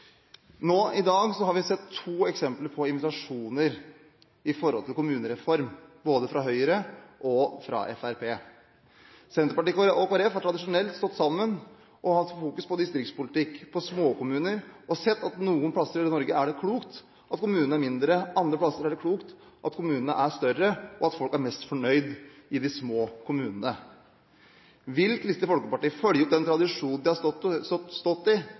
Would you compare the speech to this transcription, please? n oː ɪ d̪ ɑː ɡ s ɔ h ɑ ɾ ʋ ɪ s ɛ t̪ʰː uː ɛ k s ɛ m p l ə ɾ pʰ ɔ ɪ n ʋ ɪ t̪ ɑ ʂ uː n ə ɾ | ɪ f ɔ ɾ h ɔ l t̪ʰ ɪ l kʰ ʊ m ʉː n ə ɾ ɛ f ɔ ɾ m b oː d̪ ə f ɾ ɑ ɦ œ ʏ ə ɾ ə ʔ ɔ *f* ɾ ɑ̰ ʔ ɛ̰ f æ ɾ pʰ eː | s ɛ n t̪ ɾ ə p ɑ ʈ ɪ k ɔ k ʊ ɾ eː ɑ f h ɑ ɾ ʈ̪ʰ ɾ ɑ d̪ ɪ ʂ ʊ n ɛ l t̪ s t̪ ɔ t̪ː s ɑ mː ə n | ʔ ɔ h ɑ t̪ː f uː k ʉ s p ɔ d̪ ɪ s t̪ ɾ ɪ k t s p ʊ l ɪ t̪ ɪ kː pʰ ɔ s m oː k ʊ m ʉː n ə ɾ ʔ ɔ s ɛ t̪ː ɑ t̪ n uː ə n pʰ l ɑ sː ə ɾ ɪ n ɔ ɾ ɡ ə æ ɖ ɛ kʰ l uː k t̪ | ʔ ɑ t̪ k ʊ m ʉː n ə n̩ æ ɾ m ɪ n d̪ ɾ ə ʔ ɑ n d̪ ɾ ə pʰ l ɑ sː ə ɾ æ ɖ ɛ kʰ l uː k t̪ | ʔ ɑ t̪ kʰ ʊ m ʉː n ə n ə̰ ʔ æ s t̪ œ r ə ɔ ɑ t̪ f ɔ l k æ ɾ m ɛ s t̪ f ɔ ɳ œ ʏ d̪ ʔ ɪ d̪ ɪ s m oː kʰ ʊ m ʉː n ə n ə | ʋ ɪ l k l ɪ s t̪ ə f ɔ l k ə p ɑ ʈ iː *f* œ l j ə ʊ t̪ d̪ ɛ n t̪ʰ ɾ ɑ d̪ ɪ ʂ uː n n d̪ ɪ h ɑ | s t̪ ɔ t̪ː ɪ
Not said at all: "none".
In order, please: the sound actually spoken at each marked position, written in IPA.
f, f

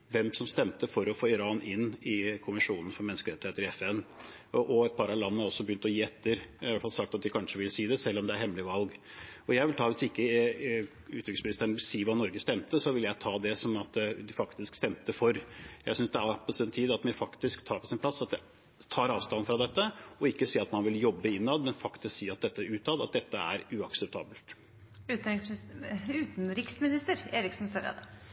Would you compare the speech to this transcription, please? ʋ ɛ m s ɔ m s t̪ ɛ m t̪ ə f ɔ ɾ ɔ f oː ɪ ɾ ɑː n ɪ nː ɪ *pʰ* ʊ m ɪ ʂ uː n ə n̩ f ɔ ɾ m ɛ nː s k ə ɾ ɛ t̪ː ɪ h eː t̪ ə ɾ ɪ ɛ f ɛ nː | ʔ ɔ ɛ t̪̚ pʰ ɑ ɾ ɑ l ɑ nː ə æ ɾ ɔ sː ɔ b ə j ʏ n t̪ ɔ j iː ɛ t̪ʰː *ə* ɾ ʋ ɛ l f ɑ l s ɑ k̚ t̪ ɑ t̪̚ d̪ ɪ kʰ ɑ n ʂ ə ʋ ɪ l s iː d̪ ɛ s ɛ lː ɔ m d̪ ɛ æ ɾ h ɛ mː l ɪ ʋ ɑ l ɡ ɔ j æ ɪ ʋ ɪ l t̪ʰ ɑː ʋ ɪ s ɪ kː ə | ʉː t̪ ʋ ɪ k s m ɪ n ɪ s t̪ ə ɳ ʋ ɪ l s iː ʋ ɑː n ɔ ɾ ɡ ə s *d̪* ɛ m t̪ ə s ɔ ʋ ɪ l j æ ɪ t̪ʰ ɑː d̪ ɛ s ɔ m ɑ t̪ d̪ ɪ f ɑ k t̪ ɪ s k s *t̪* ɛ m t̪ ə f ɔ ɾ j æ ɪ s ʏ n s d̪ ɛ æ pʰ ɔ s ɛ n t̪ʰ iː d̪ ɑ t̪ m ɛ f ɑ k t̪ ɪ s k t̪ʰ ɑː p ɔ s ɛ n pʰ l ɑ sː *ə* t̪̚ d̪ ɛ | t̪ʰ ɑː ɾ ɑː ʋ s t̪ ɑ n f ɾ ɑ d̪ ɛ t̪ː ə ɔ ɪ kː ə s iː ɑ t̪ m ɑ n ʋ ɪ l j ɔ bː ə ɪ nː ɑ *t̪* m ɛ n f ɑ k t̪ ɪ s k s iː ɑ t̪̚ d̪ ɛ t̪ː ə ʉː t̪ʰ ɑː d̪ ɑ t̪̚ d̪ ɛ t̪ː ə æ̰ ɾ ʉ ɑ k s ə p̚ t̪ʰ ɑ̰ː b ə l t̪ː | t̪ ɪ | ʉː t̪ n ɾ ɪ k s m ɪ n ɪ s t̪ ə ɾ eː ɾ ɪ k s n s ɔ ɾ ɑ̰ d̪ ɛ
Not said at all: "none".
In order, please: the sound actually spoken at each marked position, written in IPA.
kʰ, ə, t̪, t̪, ɑ, d̪

